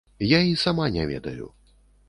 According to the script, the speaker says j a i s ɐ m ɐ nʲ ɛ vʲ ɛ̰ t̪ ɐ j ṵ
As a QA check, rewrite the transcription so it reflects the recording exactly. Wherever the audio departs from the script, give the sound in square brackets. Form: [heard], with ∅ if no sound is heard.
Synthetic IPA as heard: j a i s [a] m [a] nʲ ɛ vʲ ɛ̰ [d̪] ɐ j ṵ